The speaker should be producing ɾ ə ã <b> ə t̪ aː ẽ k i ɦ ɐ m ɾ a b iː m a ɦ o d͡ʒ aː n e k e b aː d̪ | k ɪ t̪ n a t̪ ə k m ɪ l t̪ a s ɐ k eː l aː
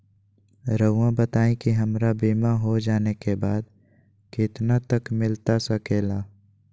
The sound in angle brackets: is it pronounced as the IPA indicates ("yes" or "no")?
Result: yes